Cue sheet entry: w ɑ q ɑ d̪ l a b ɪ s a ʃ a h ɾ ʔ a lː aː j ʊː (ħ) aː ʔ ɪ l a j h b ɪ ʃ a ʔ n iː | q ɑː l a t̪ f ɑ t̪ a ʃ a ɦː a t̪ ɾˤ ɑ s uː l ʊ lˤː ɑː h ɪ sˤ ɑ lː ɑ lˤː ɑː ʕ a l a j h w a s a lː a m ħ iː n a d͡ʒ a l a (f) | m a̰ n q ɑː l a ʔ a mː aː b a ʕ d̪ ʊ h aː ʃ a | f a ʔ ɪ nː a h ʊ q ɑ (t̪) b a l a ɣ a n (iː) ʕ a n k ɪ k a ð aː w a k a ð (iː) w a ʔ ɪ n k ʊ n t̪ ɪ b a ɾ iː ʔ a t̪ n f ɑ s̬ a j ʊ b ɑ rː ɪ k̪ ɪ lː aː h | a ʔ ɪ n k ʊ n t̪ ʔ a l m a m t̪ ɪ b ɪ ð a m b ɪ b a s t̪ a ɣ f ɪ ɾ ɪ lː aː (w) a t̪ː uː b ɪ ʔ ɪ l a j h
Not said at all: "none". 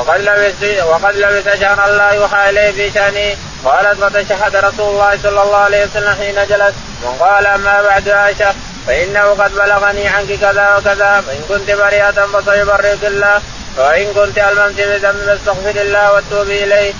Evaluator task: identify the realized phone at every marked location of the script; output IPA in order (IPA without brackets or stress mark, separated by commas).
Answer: ħ, s, d̪, iː, aː, w